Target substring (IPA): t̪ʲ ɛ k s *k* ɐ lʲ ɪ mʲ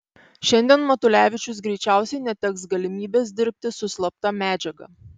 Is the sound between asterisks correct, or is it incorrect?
incorrect